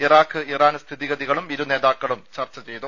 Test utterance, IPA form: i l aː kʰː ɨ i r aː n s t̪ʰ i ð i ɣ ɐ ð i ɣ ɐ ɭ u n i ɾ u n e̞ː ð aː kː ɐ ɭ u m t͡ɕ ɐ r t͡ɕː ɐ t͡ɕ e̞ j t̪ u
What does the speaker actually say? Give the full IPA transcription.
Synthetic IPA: i r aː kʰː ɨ i r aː n s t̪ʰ i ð i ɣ ɐ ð i ɣ ɐ ɭ u m i ɾ u n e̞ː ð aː kː ɐ ɭ u m t͡ɕ ɐ r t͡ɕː ɐ t͡ɕ e̞ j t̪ u